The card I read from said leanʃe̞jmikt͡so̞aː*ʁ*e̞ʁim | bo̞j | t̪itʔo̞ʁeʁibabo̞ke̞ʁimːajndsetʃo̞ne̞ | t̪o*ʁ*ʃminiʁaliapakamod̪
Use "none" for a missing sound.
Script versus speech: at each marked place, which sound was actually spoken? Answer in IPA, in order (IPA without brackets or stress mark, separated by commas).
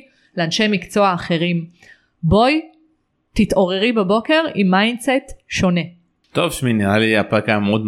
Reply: χ, v